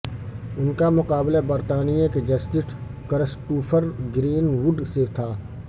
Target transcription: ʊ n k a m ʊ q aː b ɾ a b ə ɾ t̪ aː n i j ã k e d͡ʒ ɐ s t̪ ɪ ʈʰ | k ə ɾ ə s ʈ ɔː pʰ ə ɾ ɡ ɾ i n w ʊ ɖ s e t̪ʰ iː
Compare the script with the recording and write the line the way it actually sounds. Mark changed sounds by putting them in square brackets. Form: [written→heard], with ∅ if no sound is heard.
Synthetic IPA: ʊ n k a m ʊ q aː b [ɾ→l] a b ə ɾ t̪ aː n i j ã k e d͡ʒ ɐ s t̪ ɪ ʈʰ | k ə ɾ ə s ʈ [ɔː→uː] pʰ ə ɾ ɡ ɾ [i→iː] n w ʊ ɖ s e t̪ʰ [iː→aː]